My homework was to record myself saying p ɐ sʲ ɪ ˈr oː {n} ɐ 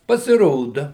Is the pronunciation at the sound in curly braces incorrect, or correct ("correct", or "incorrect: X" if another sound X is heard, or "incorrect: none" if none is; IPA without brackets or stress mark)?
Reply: incorrect: d